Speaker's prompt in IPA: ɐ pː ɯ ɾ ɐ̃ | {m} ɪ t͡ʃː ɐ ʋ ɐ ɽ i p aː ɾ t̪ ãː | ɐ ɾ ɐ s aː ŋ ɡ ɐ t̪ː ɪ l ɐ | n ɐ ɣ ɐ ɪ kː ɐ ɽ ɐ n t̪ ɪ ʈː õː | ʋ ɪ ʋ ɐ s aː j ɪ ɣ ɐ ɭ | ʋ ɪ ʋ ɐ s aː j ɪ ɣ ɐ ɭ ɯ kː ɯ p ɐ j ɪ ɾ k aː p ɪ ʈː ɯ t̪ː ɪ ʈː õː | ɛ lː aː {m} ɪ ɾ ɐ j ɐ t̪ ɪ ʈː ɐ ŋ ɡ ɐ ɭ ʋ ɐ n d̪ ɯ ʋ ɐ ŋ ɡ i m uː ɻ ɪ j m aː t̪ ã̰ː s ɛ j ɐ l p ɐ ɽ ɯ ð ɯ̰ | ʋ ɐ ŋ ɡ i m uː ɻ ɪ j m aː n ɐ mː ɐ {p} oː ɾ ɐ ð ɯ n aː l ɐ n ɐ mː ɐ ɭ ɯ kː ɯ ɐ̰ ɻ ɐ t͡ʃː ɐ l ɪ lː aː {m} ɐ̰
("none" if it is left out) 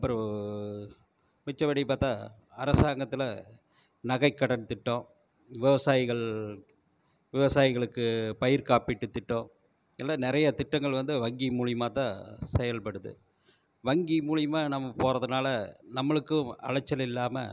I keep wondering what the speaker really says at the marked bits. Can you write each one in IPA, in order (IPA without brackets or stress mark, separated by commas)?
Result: m, n, p, m